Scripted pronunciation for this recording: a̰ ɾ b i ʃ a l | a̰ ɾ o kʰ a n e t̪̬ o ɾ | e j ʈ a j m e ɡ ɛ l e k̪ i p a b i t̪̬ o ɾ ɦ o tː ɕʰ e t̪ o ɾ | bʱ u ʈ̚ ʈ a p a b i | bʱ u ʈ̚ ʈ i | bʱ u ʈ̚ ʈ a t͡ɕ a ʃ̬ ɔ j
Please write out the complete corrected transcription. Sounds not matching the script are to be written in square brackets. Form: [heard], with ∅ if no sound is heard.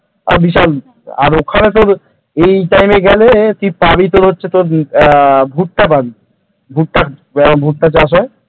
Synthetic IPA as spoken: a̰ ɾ b i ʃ a l | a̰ ɾ o kʰ a n e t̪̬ o ɾ | e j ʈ a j m e ɡ ɛ l e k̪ i p a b i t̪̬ o ɾ ɦ o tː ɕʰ e t̪ o ɾ | bʱ u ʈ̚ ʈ a p a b i | bʱ u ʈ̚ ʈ [a] | bʱ u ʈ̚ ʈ a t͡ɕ a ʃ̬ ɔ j

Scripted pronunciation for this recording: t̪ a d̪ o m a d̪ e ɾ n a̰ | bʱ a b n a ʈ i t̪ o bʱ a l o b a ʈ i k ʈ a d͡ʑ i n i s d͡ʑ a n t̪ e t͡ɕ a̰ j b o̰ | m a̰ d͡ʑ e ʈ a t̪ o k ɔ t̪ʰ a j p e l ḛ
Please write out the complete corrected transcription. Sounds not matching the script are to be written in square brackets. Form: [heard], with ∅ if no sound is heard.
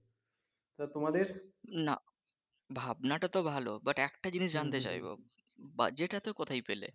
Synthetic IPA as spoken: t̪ a [t̪] o m a d̪ e ɾ n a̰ | bʱ a b n a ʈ [a] t̪ o bʱ a l o b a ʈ [ɛ] k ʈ a d͡ʑ i n i [ʃ] d͡ʑ a n t̪ e t͡ɕ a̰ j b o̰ | [b] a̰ d͡ʑ e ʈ a t̪ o k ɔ t̪ʰ a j p e l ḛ

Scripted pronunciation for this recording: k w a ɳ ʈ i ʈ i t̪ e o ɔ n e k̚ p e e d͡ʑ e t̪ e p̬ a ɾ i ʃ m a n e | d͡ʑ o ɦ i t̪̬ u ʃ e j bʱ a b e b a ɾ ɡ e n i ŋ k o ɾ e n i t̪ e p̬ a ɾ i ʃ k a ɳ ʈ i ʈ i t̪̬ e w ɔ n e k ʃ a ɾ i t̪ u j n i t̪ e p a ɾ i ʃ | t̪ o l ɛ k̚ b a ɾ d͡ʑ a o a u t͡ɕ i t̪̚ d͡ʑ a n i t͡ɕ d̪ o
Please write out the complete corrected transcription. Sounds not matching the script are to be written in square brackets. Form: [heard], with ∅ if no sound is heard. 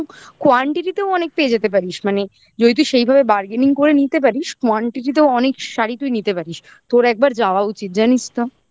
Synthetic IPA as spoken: k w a ɳ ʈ i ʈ i t̪ e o ɔ n e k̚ p e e d͡ʑ e t̪ e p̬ a ɾ i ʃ m a n e | d͡ʑ o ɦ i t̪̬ u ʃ e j bʱ a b e b a ɾ ɡ e n i ŋ k o ɾ e n i t̪ e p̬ a ɾ i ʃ k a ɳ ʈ i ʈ i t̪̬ e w ɔ n e k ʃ a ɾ i t̪ u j n i t̪ e p a ɾ i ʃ | t̪ o [ɾ] ɛ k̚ b a ɾ d͡ʑ a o a u t͡ɕ i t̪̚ d͡ʑ a n i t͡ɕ [t̪] o

